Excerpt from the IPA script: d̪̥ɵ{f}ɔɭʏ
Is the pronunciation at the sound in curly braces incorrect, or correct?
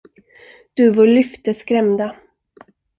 incorrect